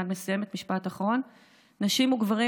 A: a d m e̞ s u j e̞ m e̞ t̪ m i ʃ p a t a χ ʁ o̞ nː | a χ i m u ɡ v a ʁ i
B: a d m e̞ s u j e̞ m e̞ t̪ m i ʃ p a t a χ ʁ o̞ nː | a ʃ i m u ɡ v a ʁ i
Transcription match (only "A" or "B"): B